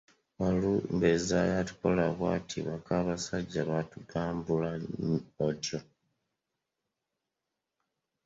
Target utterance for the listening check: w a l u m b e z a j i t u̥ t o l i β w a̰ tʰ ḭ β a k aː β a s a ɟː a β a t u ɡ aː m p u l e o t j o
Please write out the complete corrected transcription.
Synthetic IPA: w a l u m b e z a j a t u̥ k o l a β w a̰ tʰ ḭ β a k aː β a s a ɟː a β a t u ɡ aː m b u l a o t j o